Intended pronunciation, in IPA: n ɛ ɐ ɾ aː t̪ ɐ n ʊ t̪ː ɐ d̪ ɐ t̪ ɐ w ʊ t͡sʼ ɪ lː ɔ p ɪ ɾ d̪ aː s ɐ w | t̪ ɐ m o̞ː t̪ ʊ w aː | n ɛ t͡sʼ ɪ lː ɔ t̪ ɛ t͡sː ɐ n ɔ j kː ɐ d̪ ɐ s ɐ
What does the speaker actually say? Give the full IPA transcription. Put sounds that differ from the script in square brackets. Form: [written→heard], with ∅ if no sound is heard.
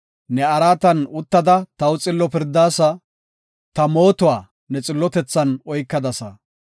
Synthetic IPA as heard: n ɛ ɐ ɾ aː t̪ ɐ n ʊ t̪ː ɐ d̪ ɐ t̪ ɐ w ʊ t͡sʼ ɪ lː ɔ p ɪ ɾ d̪ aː s ɐ [w→∅] | t̪ ɐ m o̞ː t̪ ʊ w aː | n ɛ t͡sʼ ɪ lː ɔ t̪ ɛ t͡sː ɐ n ɔ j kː ɐ d̪ ɐ s ɐ